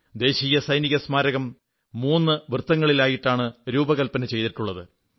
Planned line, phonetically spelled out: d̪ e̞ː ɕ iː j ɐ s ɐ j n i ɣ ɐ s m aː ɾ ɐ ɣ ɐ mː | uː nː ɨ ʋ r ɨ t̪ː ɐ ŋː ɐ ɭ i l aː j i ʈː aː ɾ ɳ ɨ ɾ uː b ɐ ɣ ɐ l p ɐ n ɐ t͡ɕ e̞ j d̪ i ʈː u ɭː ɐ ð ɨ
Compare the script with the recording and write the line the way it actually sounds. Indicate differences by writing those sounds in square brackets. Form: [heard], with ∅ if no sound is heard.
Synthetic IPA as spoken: d̪ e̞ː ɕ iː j ɐ s ɐ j n i ɣ ɐ s m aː ɾ ɐ ɣ ɐ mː | uː nː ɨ ʋ r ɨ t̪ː ɐ ŋː ɐ ɭ i l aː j i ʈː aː [∅] ɳ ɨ ɾ uː b ɐ ɣ ɐ l p ɐ n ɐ t͡ɕ e̞ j [t̪] i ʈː u ɭː ɐ ð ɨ

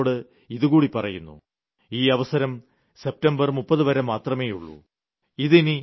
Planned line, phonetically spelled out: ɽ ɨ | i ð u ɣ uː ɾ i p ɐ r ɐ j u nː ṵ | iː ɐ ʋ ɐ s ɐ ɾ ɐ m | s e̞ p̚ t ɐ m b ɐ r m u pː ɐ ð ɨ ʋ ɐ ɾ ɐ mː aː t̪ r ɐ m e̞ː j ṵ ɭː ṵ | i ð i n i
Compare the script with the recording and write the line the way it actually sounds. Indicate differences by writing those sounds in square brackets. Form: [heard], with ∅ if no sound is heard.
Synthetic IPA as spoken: ɽ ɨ | i ð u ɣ uː [ɽ] i p ɐ r ɐ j u nː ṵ | iː ɐ ʋ ɐ s ɐ ɾ ɐ m | s e̞ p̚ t ɐ m b ɐ r m u pː ɐ ð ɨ ʋ ɐ ɾ ɐ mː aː t̪ r ɐ m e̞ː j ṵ ɭː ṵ | i ð i n i

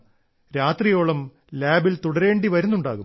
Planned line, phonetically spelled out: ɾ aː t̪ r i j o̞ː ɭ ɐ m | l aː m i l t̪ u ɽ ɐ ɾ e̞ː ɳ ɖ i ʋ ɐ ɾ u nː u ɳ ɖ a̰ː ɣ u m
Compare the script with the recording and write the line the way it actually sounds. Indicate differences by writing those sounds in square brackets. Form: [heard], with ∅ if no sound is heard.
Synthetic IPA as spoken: ɾ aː t̪ r i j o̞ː ɭ ɐ m | l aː [b] i l t̪ u ɽ ɐ ɾ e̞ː ɳ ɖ i ʋ ɐ ɾ u nː u ɳ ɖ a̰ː ɣ u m

